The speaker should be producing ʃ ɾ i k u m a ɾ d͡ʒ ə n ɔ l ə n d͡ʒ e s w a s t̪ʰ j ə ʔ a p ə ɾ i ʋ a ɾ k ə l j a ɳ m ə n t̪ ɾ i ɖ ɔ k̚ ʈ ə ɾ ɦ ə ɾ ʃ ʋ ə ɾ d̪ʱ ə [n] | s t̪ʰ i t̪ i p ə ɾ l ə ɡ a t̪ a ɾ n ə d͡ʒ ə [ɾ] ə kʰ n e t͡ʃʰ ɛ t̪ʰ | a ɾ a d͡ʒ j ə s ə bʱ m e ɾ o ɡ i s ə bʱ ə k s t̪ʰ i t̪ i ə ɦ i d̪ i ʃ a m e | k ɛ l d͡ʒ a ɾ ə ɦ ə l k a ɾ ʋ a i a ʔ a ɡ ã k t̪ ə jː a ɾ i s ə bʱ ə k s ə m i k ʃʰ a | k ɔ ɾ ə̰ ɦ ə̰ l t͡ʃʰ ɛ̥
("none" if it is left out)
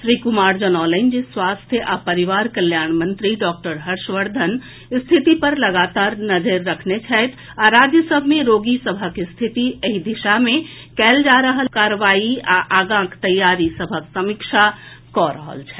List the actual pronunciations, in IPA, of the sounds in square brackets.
n, ɾː

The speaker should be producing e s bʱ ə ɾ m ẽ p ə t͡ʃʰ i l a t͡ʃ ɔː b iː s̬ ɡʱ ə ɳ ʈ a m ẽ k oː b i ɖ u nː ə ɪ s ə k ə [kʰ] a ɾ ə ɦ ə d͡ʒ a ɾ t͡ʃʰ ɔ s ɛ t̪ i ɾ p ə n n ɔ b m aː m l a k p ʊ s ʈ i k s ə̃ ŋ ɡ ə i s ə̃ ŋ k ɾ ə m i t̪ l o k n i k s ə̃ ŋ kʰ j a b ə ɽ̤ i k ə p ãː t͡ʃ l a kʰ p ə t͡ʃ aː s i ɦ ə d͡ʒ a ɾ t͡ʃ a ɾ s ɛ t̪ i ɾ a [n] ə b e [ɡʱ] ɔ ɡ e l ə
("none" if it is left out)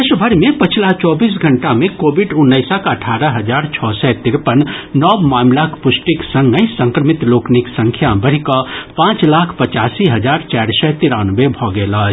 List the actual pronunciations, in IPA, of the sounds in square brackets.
ʈʰ, n, bʱ

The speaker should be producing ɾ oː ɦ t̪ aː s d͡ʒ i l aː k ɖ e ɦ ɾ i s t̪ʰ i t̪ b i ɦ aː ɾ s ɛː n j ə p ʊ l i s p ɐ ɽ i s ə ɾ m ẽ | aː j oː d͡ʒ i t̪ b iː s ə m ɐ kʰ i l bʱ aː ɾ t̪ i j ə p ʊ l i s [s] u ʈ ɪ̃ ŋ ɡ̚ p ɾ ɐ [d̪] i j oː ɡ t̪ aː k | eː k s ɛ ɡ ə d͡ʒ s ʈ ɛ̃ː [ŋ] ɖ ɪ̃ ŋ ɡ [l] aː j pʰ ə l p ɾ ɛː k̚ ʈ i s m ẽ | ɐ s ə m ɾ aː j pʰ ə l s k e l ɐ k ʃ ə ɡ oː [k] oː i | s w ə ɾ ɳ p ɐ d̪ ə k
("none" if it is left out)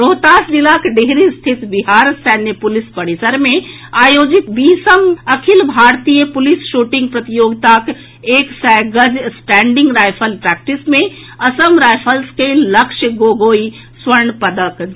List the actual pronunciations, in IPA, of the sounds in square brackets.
ʃ, t̪, ɳ, ɾ, ɡ

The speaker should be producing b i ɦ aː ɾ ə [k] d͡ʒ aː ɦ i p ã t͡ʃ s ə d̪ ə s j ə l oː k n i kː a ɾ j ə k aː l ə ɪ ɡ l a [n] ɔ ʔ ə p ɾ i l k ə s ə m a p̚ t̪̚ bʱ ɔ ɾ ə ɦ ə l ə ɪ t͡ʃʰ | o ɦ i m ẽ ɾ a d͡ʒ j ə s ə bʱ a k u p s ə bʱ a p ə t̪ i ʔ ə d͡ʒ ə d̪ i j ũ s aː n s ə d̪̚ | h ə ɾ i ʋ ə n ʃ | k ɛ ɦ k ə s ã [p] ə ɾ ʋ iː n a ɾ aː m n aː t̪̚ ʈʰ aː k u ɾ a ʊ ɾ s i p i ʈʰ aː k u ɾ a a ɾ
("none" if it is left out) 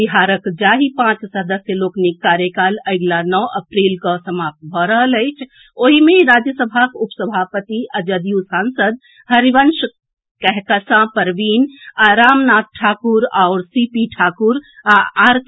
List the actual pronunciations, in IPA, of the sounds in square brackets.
k, n, p

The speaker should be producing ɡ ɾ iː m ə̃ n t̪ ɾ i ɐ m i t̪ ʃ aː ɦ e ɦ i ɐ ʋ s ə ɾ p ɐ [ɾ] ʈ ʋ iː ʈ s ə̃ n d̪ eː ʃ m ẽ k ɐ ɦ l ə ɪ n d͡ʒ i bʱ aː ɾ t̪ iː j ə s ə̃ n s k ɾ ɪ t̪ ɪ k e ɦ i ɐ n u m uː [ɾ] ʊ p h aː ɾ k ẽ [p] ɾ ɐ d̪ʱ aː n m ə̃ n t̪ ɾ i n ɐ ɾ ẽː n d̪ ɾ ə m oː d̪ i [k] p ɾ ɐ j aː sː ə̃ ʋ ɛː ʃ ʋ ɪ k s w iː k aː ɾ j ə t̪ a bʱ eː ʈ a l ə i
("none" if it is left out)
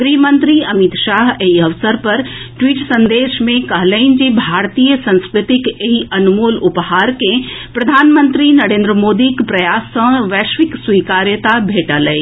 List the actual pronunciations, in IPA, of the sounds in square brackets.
ɾ, l, p, k

